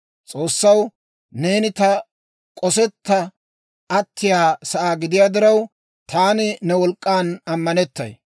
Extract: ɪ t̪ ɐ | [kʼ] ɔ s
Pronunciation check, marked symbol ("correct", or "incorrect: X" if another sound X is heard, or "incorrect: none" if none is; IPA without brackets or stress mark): correct